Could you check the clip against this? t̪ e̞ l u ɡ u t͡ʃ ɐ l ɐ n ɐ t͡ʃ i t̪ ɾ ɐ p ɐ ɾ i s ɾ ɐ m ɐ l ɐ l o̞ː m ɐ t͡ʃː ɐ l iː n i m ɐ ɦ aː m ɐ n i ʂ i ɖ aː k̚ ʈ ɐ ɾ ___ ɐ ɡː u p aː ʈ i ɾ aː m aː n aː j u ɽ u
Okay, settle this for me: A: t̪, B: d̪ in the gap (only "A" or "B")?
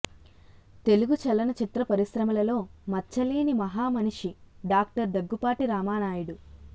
B